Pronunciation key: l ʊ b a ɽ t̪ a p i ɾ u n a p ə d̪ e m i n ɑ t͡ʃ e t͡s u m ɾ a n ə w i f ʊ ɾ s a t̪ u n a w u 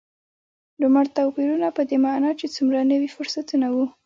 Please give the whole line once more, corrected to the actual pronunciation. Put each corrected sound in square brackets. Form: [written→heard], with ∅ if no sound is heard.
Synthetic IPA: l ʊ [b→m] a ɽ t̪ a p i ɾ u n a p ə d̪ e m [i→a] n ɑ t͡ʃ e t͡s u m ɾ a n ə w i f ʊ ɾ s a t̪ u n a w u